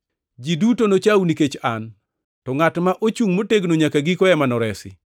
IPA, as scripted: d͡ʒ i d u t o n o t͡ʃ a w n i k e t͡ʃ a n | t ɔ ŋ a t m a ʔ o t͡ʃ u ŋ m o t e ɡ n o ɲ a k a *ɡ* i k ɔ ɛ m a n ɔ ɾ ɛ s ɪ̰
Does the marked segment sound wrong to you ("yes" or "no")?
no